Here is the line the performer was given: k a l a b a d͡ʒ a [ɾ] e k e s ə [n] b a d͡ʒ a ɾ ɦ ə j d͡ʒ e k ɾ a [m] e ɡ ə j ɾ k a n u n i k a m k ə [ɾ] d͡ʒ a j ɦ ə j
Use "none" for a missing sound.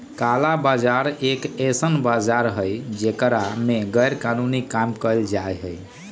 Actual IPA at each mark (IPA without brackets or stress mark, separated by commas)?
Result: ɾ, n, m, l